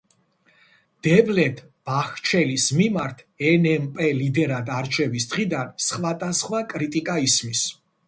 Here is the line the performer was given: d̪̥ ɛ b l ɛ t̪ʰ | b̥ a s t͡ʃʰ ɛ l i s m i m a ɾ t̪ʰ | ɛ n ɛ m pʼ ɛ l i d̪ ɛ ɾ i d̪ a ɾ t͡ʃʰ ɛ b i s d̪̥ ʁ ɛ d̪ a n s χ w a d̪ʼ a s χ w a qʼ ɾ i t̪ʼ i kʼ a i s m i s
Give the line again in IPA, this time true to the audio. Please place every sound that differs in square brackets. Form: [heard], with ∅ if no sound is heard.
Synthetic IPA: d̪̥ ɛ b l ɛ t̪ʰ | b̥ a [χ] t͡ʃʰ ɛ l i s m i m a ɾ t̪ʰ | ɛ n ɛ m pʼ ɛ l i d̪ ɛ ɾ [a] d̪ a ɾ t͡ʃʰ ɛ [v] i s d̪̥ ʁ [i] d̪ a n s χ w a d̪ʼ a s χ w a [kʼ] ɾ i t̪ʼ i kʼ a i s m i s

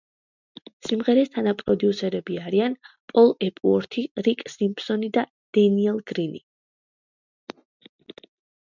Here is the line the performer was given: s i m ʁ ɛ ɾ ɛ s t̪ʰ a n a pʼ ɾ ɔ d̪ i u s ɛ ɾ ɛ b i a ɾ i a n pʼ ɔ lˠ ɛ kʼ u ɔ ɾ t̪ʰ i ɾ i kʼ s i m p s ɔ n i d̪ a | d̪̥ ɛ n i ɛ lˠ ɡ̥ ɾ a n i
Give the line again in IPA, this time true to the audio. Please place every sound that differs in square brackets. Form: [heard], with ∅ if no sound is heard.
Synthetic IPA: s i m ʁ ɛ ɾ ɛ s t̪ʰ a n a pʼ ɾ ɔ d̪ i u s ɛ ɾ ɛ b i a ɾ i a n pʼ ɔ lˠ ɛ [pʼ] u ɔ ɾ t̪ʰ i ɾ i kʼ s i m p s ɔ n i d̪ a | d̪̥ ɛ n i ɛ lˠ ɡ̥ ɾ [i] n i

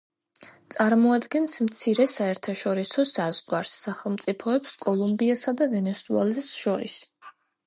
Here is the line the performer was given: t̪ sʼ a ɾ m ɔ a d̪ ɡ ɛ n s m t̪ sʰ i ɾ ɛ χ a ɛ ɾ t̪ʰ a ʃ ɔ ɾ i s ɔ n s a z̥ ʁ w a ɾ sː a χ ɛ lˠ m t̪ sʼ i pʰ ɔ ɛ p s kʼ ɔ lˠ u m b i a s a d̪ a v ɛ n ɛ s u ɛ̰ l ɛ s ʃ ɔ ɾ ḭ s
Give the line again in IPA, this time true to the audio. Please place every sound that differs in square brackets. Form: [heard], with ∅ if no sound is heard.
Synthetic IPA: t̪ sʼ a ɾ m ɔ a d̪ ɡ ɛ n s m t̪ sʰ i ɾ ɛ [s] a ɛ ɾ t̪ʰ a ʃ ɔ ɾ i s ɔ [∅] s a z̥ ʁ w a ɾ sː a χ ɛ lˠ m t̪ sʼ i pʰ ɔ ɛ p s kʼ ɔ lˠ u m b i a s a d̪ a v ɛ n ɛ s u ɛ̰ l ɛ s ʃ ɔ ɾ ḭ s

